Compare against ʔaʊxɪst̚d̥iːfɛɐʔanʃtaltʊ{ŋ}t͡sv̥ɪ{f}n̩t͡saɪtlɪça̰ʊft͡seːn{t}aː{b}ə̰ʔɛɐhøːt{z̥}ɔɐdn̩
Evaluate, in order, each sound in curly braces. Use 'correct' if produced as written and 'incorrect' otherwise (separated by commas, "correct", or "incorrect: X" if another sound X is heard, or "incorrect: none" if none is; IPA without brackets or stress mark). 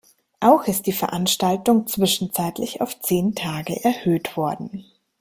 correct, incorrect: ʃ, incorrect: tʰ, incorrect: ɡ, incorrect: v̥